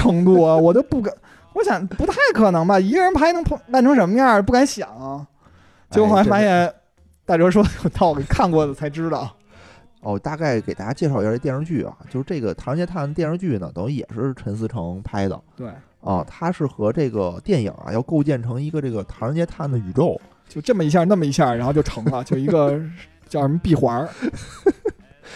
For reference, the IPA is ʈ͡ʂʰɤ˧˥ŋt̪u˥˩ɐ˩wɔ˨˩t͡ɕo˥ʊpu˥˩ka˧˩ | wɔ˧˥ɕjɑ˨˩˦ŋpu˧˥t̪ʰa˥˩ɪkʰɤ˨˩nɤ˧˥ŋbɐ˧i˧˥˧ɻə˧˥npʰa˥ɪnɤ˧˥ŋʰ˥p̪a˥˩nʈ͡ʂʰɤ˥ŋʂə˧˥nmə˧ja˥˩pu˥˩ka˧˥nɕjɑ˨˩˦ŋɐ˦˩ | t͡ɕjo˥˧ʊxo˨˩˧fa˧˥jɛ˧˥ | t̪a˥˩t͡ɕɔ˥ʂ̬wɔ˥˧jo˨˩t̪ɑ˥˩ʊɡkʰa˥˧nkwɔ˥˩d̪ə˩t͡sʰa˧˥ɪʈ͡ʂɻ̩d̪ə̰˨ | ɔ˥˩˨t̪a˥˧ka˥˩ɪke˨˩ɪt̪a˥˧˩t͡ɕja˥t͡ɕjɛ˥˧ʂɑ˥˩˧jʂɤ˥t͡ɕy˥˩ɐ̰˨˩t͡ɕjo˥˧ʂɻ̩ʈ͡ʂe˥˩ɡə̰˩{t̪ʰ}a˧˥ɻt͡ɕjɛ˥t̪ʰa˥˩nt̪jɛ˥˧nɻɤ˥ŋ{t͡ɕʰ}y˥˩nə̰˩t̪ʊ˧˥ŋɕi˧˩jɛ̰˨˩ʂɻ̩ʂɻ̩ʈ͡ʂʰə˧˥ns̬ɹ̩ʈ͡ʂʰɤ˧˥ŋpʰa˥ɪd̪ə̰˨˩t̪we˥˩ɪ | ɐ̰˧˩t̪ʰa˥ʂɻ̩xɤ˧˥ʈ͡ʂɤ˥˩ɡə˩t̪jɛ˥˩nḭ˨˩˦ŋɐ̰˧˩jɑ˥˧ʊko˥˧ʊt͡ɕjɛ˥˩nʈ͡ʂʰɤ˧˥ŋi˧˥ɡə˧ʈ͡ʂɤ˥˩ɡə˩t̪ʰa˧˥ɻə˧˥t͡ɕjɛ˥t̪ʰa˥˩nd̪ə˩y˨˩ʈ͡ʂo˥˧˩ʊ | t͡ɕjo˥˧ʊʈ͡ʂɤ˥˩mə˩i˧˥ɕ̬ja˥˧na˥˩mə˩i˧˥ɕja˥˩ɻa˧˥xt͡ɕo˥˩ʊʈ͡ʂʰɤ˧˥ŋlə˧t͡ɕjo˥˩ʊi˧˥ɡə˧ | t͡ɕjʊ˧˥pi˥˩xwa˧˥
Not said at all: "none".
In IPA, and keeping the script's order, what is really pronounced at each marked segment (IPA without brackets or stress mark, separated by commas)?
t̪ʰ, t͡ɕ